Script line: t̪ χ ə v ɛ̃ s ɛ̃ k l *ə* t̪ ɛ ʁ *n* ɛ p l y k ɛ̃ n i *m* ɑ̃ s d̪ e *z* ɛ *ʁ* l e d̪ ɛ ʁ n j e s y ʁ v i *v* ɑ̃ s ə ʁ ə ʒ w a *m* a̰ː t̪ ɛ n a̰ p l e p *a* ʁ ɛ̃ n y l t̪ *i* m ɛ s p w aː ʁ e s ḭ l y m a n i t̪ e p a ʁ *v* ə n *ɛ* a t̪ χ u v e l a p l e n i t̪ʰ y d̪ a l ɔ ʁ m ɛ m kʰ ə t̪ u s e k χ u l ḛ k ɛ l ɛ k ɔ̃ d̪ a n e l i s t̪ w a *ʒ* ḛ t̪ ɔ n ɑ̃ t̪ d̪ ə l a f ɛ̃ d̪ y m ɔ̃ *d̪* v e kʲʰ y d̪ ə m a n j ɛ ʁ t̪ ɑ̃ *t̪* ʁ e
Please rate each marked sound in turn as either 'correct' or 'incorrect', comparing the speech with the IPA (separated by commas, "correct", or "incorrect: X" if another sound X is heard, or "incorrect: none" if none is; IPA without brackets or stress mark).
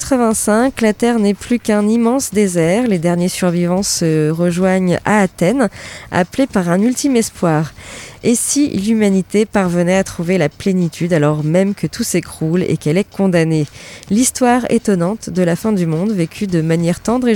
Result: incorrect: a, correct, correct, correct, correct, correct, incorrect: ɲ, correct, correct, correct, correct, incorrect: ʁ, correct, incorrect: d̪